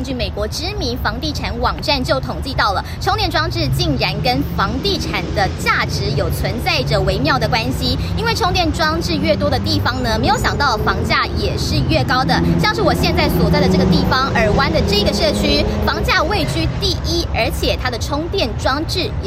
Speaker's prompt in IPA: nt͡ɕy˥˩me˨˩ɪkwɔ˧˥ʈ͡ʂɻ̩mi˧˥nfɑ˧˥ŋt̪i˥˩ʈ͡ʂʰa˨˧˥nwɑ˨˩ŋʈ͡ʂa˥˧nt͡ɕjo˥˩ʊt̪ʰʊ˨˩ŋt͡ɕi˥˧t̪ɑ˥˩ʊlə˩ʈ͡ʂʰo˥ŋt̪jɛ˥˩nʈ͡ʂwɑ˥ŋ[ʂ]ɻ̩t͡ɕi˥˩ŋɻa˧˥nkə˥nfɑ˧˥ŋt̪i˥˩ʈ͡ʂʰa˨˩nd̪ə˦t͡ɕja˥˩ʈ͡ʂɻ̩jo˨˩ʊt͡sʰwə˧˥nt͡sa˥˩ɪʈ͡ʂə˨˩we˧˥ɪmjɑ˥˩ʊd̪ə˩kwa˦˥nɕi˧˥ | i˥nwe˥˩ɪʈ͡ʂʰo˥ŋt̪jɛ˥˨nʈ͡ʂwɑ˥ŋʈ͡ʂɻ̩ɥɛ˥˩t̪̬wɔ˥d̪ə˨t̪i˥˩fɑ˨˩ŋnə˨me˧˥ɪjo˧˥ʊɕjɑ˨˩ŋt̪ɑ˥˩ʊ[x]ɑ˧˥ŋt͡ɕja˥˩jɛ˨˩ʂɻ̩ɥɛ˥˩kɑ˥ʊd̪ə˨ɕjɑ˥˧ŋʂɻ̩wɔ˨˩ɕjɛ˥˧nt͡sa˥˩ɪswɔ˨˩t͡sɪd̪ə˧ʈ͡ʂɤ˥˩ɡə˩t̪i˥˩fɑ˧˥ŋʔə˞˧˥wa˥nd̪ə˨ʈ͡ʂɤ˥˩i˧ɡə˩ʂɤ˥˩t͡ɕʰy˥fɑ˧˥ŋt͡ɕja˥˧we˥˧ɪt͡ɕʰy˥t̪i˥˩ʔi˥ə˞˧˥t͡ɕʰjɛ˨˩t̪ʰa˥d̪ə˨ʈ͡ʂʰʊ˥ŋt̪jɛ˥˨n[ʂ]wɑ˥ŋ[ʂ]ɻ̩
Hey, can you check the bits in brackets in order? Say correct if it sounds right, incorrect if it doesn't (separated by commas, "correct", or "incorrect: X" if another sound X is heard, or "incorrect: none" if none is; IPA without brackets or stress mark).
incorrect: ʈ͡ʂ, incorrect: f, incorrect: ʈ͡ʂ, incorrect: ʈ͡ʂ